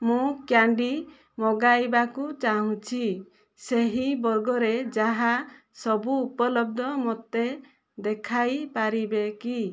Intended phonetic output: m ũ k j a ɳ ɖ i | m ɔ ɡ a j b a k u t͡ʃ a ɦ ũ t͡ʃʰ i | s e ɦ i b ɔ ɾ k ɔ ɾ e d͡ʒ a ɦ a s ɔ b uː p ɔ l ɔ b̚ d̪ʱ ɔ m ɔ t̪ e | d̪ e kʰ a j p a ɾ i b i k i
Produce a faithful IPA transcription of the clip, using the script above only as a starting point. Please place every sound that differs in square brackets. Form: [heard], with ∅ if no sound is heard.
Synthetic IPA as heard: m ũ k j a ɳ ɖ i | m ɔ ɡ a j b a k u t͡ʃ a ɦ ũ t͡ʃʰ i | s e ɦ i b ɔ ɾ [ɡ] ɔ ɾ e d͡ʒ a ɦ a s ɔ b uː p ɔ l ɔ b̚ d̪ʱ ɔ m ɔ t̪ e | d̪ e kʰ a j p a ɾ i b [e] k i